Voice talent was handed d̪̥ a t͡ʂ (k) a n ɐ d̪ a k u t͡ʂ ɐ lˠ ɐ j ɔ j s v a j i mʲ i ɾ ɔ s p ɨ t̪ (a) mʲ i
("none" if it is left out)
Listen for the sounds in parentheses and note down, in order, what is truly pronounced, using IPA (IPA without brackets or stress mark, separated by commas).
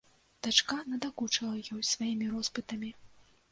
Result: k, ɐ